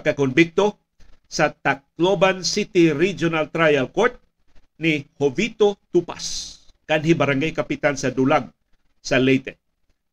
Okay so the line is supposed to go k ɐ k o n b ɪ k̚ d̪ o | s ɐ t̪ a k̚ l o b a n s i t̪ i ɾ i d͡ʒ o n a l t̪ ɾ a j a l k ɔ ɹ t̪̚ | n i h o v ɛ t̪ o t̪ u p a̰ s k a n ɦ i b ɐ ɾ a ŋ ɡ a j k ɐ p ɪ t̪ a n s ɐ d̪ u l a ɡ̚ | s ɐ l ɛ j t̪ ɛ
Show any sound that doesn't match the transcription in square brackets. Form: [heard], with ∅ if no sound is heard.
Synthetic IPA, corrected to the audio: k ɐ k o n b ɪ k̚ [t̪] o | s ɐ t̪ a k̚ l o b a n s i t̪ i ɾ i d͡ʒ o n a l t̪ ɾ a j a l k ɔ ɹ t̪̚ | n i h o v [i] t̪ o t̪ u p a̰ s k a n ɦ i b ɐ ɾ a ŋ ɡ a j k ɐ p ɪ t̪ a n s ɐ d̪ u l a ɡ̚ | s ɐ l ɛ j t̪ ɛ